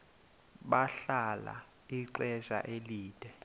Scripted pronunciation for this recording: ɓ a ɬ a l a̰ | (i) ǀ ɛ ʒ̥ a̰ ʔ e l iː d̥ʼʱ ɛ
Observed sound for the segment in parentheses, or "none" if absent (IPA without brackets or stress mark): i